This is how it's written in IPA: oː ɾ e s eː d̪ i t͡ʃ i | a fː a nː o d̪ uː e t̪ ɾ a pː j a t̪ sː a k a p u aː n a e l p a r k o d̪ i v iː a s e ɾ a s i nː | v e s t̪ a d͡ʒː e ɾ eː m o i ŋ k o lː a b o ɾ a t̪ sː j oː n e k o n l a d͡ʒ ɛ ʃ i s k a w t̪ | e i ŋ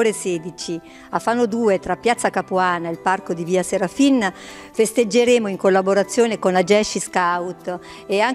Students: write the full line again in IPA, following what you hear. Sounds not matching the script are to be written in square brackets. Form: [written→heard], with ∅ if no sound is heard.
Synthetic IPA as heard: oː ɾ e s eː d̪ i t͡ʃ i | a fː a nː o d̪ uː e t̪ ɾ a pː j a t̪ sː a k a p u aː n a e l p a r k o d̪ i v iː a s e ɾ a [s→f] i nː | [v→f] e s t̪ [a→e] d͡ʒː e ɾ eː m o i ŋ k o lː a b o ɾ a t̪ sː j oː n e k o n l a d͡ʒ ɛ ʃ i s k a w t̪ | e [i→a] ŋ